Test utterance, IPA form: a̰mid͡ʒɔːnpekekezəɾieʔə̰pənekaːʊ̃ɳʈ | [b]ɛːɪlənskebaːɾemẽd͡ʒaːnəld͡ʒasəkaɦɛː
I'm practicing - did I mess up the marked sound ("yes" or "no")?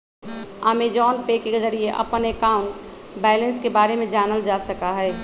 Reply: no